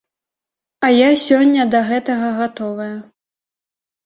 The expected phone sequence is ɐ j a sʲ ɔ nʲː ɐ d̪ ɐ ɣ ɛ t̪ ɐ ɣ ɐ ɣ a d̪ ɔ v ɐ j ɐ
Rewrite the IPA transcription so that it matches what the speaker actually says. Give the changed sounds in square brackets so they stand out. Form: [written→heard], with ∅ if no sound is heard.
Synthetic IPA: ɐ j a sʲ ɔ nʲː ɐ d̪ ɐ ɣ ɛ t̪ ɐ ɣ ɐ ɣ a [d̪→t̪] ɔ v ɐ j ɐ